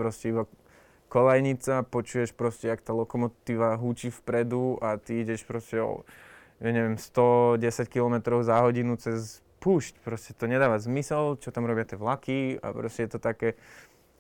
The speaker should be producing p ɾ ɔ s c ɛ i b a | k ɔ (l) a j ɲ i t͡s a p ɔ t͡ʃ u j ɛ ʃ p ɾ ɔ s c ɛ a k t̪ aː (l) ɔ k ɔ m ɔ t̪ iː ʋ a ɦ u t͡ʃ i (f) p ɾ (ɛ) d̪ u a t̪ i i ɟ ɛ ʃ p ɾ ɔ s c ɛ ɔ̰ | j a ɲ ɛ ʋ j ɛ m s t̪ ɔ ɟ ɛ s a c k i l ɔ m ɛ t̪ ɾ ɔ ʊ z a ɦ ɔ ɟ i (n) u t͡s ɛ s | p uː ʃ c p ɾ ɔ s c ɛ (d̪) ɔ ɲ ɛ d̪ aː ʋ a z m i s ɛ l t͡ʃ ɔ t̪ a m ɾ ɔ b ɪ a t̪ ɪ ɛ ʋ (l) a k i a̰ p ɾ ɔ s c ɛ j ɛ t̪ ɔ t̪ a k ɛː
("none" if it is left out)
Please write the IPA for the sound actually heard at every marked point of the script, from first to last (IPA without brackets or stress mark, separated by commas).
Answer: l, l, f, ɛ, n, t̪, l